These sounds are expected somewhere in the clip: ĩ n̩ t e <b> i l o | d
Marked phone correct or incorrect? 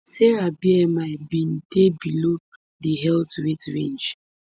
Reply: correct